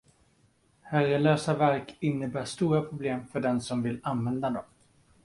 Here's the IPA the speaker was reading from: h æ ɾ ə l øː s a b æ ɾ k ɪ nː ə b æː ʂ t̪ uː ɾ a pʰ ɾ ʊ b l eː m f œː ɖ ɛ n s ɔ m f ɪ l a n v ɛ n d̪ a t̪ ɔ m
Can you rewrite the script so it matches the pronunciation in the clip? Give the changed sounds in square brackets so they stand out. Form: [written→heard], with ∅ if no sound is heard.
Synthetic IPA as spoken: h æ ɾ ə l øː s a [b→v] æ ɾ k ɪ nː ə b æː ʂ t̪ uː ɾ a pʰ ɾ ʊ b l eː m f [œː→œ] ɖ ɛ n s ɔ m [f→v] ɪ l a n v ɛ n d̪ a [t̪→d̪] ɔ m

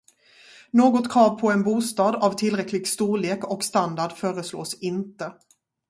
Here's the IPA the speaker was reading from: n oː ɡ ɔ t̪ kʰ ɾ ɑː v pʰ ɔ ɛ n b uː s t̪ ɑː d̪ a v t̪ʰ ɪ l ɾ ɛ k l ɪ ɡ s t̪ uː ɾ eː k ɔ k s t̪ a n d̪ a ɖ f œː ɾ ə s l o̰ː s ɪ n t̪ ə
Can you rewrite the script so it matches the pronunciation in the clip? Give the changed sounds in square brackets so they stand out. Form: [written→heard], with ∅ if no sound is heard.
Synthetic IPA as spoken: n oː ɡ ɔ t̪ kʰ ɾ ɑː v pʰ ɔ ɛ n b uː s t̪ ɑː d̪ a v t̪ʰ ɪ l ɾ ɛ k l ɪ ɡ s t̪ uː [ɾ→ɭ] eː k ɔ k s t̪ a n d̪ a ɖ f œː ɾ ə s l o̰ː s ɪ n t̪ ə

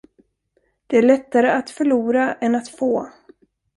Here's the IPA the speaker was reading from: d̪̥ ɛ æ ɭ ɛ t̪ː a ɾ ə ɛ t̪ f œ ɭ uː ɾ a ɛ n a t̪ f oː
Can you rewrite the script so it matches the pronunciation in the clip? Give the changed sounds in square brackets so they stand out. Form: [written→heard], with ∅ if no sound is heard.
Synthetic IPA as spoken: d̪̥ ɛ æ ɭ ɛ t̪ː a ɾ ə [ɛ→a] t̪ f œ ɭ uː ɾ a ɛ n a t̪ f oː

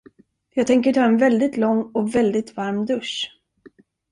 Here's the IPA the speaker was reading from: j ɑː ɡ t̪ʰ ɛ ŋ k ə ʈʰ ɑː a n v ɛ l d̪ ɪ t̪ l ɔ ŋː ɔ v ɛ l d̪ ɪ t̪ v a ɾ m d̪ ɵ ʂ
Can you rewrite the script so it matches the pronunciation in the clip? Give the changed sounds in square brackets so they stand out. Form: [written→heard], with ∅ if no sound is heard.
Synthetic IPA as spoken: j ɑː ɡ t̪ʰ ɛ ŋ k ə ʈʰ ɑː [a→ɛ] n v ɛ l d̪ ɪ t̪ l ɔ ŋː ɔ v ɛ l d̪ ɪ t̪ v a ɾ m d̪ ɵ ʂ

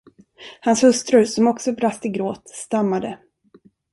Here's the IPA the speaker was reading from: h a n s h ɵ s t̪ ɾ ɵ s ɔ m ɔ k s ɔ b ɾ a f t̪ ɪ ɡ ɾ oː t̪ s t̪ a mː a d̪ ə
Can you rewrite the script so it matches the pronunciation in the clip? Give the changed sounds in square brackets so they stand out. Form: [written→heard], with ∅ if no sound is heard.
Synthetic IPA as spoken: h a n s h ɵ s t̪ ɾ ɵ s ɔ m ɔ k s ɔ b ɾ a [f→s] t̪ ɪ ɡ ɾ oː t̪ s t̪ a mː a d̪ ə

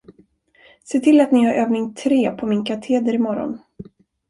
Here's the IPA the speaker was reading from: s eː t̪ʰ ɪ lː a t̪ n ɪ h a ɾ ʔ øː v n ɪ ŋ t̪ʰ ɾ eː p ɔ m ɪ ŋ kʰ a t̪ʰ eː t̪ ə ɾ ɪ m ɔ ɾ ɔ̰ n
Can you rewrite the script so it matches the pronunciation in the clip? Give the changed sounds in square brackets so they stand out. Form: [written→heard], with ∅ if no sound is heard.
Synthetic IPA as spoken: s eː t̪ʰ ɪ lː a t̪ n ɪ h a ɾ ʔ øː v n ɪ ŋ t̪ʰ ɾ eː [p→pʰ] ɔ m ɪ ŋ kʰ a t̪ʰ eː [t̪→d̪] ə ɾ ɪ m ɔ ɾ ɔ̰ n

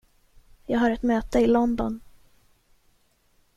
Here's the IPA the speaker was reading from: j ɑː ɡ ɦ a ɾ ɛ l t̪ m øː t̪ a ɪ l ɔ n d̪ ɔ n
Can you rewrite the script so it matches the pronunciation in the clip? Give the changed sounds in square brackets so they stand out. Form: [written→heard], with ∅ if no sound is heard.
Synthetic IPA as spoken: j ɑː ɡ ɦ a ɾ ɛ [l→∅] t̪ m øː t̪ [a→ə] ɪ l ɔ n d̪ ɔ n

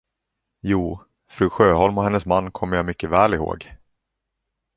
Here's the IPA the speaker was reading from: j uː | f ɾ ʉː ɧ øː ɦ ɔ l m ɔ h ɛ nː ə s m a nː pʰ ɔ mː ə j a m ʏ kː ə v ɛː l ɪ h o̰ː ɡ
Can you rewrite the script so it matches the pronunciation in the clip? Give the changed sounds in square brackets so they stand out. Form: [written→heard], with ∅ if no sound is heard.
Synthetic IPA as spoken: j uː | f ɾ ʉː ɧ øː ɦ ɔ l m ɔ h ɛ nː ə s m a nː [pʰ→kʰ] ɔ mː ə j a m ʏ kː ə v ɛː l ɪ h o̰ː ɡ

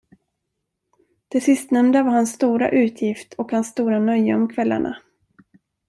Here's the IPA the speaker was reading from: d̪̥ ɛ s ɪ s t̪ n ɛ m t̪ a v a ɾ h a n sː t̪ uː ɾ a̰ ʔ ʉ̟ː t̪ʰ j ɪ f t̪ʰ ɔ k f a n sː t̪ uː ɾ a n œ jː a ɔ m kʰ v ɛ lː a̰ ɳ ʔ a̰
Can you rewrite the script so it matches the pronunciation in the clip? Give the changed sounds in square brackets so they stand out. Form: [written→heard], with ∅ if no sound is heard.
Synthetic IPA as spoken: d̪̥ ɛ s ɪ s t̪ n ɛ m [t̪→d̪] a v a ɾ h a n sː t̪ uː ɾ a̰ ʔ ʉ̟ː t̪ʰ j ɪ f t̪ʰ ɔ k [f→h] a n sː t̪ uː ɾ a n œ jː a ɔ m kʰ v ɛ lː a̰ ɳ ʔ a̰

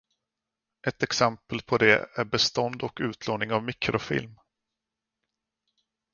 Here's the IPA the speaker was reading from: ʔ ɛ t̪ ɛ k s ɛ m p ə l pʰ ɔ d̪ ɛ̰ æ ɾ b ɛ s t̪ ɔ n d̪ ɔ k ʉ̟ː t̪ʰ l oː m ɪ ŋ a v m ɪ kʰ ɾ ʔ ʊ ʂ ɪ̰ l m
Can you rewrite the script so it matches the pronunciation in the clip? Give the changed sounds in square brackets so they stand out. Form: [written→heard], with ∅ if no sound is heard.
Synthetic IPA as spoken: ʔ ɛ t̪ ɛ k s ɛ m p ə l pʰ ɔ d̪ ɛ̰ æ ɾ b ɛ s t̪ ɔ n d̪ ɔ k ʉ̟ː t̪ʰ l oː [m→n] ɪ ŋ a v m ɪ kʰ ɾ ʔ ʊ [ʂ→f] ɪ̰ l m

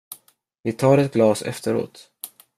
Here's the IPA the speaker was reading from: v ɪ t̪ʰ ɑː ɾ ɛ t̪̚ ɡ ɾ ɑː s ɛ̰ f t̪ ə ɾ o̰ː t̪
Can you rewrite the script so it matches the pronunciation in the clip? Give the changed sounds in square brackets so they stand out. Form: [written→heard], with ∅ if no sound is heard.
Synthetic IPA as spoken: v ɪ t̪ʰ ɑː ɾ ɛ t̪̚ ɡ [ɾ→l] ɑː s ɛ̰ f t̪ ə ɾ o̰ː t̪

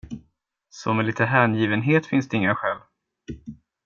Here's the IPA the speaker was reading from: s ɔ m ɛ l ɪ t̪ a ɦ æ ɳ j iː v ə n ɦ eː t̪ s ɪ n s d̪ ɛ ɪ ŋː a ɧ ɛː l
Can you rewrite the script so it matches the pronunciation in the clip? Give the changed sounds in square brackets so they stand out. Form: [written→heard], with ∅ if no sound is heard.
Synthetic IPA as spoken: s ɔ m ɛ l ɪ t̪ [a→ə] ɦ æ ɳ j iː v ə n ɦ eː t̪ [s→f] ɪ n s d̪ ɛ ɪ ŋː a ɧ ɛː l

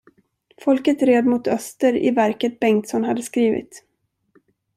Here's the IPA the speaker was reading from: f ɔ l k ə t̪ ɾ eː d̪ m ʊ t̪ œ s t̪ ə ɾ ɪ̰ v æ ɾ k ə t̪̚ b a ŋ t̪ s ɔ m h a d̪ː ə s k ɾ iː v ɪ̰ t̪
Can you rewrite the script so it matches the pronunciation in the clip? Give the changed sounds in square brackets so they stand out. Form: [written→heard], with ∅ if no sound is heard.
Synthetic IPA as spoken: f ɔ l k ə t̪ ɾ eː d̪ m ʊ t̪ œ s t̪ ə ɾ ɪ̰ v æ ɾ k ə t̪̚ b [a→ɛ] ŋ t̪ s ɔ [m→n] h a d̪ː ə s k ɾ iː v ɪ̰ t̪

